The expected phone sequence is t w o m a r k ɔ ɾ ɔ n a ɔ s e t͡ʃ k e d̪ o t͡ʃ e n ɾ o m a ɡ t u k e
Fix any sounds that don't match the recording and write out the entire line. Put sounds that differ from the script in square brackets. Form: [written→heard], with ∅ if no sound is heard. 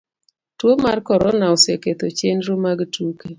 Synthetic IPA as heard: t w o m a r k ɔ ɾ ɔ n a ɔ s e [t͡ʃ→∅] k e [d̪→t̪] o t͡ʃ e n ɾ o m a ɡ t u k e